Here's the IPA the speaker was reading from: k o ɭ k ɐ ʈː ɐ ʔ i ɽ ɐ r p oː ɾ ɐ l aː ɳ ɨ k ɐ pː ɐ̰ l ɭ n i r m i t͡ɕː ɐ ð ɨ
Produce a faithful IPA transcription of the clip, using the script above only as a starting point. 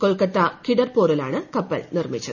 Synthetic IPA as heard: k o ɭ k ɐ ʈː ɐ k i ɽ ɐ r p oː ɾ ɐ l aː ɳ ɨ k ɐ pː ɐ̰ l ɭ n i r m i t͡ɕː ɐ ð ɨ